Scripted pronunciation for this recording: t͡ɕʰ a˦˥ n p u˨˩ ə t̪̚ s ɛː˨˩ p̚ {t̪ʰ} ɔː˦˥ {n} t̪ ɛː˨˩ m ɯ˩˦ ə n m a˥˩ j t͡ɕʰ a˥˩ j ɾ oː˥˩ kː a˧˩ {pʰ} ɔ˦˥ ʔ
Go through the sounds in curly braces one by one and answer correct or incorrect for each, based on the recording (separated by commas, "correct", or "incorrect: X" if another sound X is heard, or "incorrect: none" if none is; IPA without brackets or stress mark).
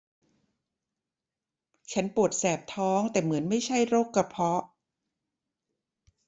correct, incorrect: ŋ, correct